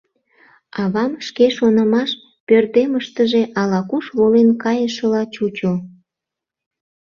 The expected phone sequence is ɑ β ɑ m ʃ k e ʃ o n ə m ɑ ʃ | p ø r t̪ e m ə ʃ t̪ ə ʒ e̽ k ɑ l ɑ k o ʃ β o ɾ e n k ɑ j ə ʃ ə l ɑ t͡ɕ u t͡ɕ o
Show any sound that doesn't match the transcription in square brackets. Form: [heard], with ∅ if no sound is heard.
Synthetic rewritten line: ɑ β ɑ m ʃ k e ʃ o n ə m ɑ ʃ | p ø r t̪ e m ə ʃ t̪ ə ʒ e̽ [ʔ] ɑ l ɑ k [u] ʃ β o [l] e n k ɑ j ə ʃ ə l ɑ t͡ɕ u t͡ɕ o

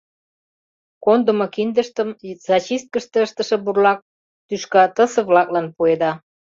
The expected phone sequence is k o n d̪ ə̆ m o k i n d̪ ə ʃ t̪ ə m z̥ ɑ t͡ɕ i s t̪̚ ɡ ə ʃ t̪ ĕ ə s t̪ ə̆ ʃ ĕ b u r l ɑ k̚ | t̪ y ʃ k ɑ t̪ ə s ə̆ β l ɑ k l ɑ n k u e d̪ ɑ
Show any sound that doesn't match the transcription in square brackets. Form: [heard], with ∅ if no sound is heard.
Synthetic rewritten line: k o n d̪ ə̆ m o k i n d̪ ə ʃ t̪ ə m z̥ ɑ t͡ɕ i s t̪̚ [k] ə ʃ t̪ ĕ ə [ʃ] t̪ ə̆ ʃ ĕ b u r l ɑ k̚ | t̪ y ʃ k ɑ t̪ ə s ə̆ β l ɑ k l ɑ n [p] u e d̪ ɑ

